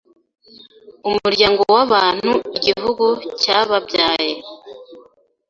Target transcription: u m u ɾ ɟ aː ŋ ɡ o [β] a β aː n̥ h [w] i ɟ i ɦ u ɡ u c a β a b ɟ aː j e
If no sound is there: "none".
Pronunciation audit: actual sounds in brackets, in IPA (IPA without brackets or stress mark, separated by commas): w, u